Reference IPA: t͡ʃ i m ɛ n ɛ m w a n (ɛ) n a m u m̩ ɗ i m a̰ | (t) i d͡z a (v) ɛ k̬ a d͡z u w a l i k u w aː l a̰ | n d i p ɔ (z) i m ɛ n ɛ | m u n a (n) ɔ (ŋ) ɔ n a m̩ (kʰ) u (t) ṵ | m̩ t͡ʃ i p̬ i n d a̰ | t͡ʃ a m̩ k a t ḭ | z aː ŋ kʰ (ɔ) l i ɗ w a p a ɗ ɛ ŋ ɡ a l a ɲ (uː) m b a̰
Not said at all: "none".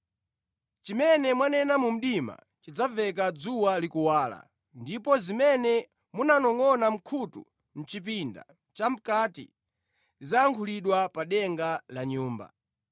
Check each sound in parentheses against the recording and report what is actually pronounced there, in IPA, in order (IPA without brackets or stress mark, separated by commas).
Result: ɛ, t͡ʃ, v, z, n, ŋ, kʰ, t, u, uː